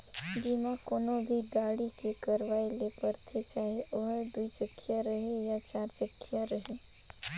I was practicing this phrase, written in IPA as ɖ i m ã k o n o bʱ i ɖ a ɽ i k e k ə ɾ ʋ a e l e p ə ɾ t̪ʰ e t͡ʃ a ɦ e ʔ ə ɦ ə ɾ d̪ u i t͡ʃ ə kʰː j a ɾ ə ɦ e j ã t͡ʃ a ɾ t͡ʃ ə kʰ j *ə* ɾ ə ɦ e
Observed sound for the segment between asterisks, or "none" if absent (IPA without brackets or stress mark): a